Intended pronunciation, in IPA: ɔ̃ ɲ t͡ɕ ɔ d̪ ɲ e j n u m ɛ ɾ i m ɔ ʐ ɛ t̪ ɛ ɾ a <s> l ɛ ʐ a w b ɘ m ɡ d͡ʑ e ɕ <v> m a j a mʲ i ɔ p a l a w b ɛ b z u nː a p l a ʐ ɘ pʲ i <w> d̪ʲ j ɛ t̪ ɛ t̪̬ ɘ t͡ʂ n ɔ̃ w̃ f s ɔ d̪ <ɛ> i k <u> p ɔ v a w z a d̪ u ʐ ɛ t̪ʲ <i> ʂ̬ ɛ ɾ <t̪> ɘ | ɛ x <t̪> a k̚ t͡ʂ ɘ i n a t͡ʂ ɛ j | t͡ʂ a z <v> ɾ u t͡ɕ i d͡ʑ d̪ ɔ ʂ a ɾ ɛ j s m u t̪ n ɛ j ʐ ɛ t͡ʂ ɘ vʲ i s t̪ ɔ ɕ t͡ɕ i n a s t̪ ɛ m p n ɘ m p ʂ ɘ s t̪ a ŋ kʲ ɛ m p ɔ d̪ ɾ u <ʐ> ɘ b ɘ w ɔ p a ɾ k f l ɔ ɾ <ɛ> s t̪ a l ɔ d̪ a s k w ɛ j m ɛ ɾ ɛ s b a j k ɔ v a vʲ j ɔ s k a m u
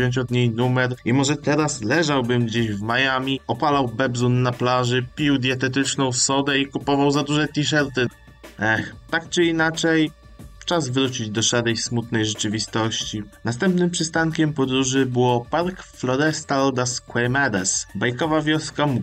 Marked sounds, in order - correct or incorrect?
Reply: correct, correct, correct, correct, correct, correct, correct, correct, correct, correct, correct

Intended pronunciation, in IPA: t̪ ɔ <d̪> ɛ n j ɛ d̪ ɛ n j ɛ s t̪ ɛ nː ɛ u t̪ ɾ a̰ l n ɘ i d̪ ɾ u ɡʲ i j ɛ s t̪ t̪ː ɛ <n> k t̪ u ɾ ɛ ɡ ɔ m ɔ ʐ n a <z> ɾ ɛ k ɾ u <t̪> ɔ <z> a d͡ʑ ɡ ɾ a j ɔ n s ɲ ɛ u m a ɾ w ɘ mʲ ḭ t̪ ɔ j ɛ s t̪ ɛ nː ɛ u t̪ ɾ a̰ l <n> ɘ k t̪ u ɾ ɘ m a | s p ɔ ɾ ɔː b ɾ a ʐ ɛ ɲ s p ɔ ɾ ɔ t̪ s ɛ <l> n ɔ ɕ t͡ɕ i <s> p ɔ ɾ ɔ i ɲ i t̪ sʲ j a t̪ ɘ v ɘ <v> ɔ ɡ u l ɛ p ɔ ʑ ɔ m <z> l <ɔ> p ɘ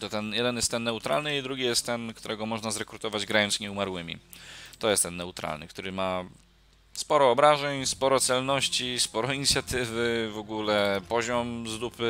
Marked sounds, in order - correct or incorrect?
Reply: incorrect: t̪, correct, correct, correct, incorrect: v, correct, correct, correct, correct, correct, incorrect: u

